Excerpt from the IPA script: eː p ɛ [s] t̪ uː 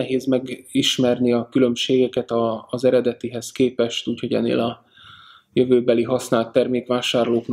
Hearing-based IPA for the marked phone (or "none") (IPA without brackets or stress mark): ʃ